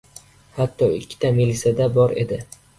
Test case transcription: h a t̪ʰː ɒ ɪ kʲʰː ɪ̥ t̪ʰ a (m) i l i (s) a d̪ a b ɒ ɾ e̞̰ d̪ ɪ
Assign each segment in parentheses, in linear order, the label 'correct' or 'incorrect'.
correct, correct

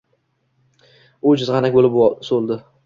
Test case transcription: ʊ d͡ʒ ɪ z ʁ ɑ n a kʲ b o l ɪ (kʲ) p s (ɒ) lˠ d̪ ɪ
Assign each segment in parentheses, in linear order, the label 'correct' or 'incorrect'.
incorrect: none, incorrect: o

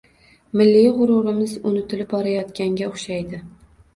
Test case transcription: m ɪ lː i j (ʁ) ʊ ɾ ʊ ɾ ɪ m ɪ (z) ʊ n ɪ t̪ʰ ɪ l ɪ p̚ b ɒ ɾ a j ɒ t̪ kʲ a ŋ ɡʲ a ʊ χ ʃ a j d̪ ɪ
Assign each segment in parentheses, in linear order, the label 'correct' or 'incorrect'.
correct, correct

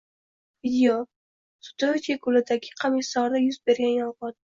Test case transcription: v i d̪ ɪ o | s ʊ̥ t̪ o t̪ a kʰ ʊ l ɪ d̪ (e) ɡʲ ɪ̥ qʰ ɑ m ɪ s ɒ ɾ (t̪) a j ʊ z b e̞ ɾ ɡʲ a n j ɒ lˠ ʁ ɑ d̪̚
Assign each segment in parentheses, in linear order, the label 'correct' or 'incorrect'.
incorrect: a, incorrect: d̪

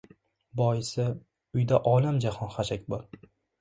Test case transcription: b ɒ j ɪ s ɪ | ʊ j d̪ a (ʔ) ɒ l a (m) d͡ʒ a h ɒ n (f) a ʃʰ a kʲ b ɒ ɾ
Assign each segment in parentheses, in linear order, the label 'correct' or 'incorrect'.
correct, correct, incorrect: χ

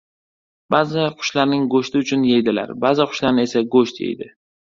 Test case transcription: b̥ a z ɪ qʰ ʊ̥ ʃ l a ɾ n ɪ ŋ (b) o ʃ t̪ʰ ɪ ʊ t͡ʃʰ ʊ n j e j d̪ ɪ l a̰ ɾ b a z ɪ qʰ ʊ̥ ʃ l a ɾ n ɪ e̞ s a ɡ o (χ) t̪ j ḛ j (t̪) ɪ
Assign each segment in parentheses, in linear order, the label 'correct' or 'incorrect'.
incorrect: ɡ, incorrect: ʃ, incorrect: d̪

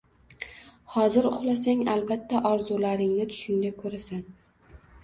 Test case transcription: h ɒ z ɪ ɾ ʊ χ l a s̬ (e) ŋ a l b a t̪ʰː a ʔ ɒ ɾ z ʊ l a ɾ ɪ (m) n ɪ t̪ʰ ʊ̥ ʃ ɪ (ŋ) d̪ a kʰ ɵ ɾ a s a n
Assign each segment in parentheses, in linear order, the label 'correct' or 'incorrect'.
incorrect: a, incorrect: ŋ, correct

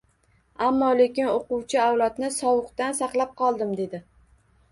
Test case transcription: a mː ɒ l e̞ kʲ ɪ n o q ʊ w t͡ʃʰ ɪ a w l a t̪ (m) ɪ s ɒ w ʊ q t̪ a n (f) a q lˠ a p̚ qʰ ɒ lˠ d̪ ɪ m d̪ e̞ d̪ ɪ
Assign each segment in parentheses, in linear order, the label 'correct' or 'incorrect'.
incorrect: n, incorrect: s

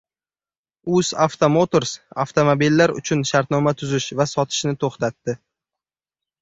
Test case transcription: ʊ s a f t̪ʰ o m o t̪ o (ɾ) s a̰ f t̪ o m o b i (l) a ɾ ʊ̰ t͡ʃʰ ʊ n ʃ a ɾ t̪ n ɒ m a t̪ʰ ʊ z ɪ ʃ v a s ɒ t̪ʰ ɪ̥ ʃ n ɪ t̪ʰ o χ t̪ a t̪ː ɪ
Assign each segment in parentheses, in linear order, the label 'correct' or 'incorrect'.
correct, incorrect: lː

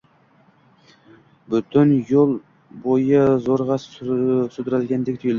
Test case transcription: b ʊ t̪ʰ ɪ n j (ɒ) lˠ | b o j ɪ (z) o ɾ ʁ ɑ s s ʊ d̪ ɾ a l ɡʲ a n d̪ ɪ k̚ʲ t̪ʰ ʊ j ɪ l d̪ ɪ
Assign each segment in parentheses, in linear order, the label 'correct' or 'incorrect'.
incorrect: o, correct

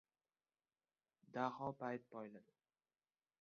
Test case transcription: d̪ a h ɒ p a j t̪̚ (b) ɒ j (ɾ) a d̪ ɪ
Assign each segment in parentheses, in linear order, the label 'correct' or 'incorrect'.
incorrect: p, incorrect: l

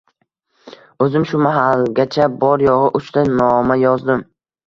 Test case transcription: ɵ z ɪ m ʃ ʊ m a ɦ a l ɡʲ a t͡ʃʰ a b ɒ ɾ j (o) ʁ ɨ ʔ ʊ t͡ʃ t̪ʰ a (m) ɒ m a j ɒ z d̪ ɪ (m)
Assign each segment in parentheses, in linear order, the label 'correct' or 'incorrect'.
incorrect: ɒ, incorrect: n, correct

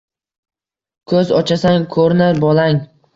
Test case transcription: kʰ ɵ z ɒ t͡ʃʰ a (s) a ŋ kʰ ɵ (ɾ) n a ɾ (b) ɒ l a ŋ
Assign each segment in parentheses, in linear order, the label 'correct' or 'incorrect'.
correct, correct, correct

